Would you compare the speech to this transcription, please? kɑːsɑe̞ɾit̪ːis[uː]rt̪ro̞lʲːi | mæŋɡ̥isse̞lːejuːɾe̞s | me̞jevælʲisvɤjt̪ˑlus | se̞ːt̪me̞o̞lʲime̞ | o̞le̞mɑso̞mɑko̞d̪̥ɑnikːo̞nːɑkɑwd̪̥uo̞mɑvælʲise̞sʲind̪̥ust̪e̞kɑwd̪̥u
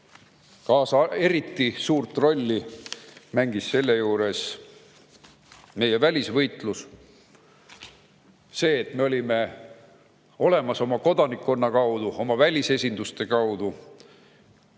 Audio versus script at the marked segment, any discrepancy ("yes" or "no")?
no